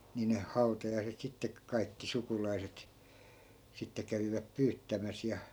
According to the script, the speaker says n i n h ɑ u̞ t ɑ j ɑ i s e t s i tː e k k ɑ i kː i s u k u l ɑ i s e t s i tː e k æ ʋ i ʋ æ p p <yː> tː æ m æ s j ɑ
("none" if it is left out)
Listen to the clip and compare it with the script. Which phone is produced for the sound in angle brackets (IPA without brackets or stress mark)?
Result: yː